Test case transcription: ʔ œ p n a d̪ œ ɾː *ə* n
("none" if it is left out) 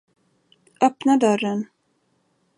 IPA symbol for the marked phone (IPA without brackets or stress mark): ə